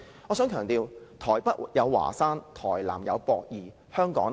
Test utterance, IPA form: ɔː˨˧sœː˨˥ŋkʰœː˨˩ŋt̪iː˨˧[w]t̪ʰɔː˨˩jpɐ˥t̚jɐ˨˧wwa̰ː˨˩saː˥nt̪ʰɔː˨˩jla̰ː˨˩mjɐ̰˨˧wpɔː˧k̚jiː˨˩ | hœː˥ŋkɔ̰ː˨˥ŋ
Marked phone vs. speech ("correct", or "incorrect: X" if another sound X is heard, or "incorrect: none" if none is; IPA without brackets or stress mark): correct